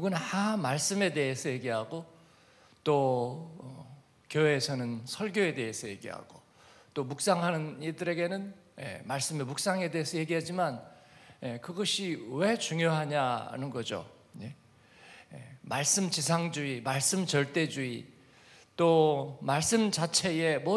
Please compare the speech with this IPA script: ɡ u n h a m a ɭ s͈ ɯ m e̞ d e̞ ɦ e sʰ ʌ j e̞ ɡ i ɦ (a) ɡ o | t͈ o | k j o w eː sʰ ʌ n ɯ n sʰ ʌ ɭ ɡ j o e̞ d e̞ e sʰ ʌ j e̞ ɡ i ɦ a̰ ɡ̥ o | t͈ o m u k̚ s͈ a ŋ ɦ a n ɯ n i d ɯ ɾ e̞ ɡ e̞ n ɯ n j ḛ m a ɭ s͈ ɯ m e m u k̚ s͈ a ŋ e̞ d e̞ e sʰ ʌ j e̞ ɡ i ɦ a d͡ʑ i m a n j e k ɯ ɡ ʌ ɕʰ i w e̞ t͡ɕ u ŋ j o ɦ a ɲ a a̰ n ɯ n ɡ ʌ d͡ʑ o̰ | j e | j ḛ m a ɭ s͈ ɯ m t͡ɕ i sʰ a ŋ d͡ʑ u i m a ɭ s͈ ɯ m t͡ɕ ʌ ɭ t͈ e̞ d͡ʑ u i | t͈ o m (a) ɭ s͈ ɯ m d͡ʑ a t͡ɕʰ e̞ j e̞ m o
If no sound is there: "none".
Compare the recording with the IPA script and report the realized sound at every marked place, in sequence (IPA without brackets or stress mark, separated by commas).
a, a